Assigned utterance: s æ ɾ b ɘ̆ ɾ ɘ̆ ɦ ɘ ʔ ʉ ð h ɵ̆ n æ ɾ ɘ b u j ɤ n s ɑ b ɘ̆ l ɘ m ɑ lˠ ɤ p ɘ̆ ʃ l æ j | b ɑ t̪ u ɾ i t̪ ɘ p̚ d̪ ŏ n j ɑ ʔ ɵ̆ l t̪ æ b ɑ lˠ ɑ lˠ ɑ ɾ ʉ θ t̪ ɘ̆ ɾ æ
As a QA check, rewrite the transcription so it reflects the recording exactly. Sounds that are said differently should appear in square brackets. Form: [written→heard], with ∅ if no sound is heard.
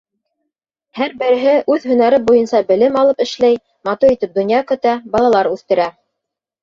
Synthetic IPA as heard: [s→h] æ ɾ b ɘ̆ ɾ ɘ̆ ɦ ɘ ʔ ʉ ð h ɵ̆ n æ ɾ ɘ b u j ɤ n s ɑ b ɘ̆ l ɘ m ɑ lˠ ɤ p ɘ̆ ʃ l æ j | [b→m] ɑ t̪ u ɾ i t̪ ɘ p̚ d̪ ŏ n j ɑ [ʔ→k] ɵ̆ [l→∅] t̪ æ b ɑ lˠ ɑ lˠ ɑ ɾ ʉ θ t̪ ɘ̆ ɾ æ